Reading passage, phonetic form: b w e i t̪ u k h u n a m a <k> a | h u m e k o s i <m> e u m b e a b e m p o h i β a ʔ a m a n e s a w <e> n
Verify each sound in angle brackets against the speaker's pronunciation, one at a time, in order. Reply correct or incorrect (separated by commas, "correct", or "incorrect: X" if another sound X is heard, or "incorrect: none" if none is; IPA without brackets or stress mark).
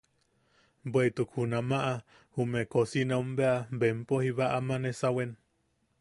incorrect: ʔ, incorrect: n, correct